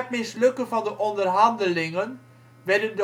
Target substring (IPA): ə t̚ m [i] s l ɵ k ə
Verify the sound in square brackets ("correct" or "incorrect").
incorrect